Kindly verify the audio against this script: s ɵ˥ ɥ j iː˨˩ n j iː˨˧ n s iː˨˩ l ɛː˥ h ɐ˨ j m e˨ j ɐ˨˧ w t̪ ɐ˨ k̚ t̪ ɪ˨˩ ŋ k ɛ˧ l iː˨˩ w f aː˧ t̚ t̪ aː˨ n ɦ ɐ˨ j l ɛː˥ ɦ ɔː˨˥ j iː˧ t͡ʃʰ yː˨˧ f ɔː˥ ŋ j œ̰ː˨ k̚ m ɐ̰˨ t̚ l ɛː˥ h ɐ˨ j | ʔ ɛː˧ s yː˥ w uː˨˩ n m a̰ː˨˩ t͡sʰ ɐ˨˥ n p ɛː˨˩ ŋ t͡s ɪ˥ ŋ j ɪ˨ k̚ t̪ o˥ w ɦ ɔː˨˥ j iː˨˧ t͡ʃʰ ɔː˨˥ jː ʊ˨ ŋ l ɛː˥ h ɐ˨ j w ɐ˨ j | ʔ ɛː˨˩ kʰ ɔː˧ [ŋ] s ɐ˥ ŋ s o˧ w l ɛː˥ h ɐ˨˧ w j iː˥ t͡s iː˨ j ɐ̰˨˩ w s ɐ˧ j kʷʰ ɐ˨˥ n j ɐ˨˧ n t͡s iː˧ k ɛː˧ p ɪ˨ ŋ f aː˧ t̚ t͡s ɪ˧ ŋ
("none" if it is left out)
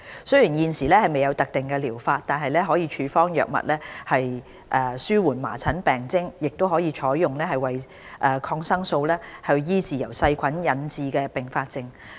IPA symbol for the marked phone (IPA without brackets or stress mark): ŋ